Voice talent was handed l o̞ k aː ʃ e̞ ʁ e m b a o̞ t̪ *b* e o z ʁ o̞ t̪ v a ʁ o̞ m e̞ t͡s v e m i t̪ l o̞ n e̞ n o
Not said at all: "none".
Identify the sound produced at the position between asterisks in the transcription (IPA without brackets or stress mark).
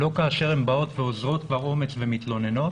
v